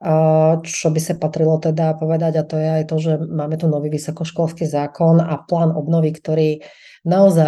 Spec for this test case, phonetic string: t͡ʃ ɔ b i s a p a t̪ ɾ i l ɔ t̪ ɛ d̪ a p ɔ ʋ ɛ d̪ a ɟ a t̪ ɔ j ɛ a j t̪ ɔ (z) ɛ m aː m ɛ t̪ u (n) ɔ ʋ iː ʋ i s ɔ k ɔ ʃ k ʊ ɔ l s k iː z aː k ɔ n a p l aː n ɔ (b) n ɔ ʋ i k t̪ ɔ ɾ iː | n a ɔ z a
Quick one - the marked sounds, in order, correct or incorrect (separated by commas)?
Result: incorrect, correct, correct